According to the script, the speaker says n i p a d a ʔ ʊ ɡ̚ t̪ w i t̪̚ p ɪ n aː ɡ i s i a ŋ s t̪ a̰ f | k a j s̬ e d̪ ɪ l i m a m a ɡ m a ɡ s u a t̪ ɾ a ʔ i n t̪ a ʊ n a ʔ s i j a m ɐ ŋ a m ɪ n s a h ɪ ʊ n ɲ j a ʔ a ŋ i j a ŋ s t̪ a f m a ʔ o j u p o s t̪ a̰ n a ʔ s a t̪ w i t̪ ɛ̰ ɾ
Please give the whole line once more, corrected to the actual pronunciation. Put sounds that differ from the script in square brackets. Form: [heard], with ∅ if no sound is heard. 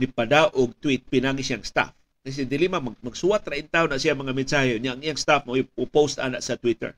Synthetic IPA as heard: n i p a d a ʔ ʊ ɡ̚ t̪ w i t̪̚ p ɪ n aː ɡ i s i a ŋ s t̪ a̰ f | k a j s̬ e d̪ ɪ l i m a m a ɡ m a ɡ s u a t̪ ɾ a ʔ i n t̪ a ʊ n a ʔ s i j a m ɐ ŋ a m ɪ n s a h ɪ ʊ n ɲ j a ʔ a ŋ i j a ŋ s t̪ a f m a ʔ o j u p o s t̪ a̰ n a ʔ s a t̪ w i t̪ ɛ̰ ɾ